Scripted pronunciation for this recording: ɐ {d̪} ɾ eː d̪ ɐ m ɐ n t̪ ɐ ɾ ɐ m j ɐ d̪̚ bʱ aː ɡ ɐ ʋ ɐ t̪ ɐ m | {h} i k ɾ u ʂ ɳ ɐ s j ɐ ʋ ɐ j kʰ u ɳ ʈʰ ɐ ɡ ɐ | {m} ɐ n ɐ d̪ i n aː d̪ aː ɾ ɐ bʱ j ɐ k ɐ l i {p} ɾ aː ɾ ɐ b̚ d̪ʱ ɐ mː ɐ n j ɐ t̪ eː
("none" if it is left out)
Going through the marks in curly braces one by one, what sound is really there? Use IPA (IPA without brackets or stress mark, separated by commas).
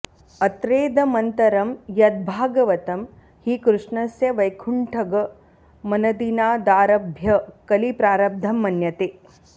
t̪, h, m, p